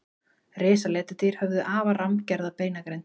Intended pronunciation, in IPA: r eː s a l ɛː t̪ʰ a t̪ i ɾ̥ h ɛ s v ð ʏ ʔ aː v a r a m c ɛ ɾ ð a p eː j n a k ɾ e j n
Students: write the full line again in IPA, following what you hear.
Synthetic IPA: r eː s a l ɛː t̪ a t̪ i ɾ̥ h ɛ v ð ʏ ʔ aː v a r a m c ɛ ɾ ð a p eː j n a k ɾ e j n